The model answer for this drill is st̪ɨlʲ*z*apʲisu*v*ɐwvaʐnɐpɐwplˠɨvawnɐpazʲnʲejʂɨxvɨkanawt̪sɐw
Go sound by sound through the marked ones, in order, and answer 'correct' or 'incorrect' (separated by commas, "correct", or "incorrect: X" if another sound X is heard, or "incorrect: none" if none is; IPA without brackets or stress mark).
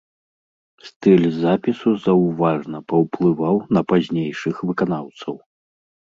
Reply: correct, incorrect: z